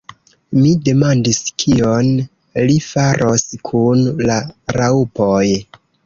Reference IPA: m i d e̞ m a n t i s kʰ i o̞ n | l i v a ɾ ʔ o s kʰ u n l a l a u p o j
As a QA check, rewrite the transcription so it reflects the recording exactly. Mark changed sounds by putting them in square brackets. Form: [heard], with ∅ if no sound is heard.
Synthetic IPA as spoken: m i d e̞ m a n [d] i s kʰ i o̞ n | l i [f] a ɾ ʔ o s kʰ u n l a [ɾ] a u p o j